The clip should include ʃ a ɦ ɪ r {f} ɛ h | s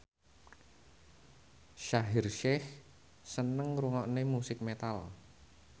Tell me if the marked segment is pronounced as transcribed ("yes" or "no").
no